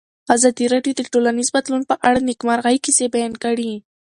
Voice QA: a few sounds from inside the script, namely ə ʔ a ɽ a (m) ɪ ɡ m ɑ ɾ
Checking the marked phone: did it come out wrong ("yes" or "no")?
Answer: yes